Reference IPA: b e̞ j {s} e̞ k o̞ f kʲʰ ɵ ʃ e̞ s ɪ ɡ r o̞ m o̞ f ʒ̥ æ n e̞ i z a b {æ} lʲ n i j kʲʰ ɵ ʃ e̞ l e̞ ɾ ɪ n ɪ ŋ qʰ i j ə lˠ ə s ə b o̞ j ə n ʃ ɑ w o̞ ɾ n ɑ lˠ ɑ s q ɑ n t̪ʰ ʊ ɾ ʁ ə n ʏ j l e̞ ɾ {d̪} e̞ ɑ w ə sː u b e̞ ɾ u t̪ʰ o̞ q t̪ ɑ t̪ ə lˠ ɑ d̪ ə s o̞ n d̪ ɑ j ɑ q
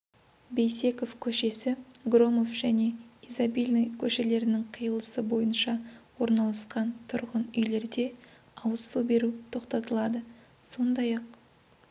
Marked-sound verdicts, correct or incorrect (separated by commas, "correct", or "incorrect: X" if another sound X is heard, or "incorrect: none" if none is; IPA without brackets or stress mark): correct, incorrect: i, correct